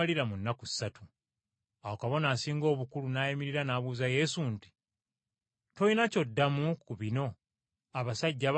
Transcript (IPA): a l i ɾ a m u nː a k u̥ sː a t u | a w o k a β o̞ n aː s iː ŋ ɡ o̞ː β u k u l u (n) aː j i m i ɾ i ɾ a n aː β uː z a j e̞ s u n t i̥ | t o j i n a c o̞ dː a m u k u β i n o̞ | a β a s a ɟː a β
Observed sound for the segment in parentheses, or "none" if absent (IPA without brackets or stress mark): n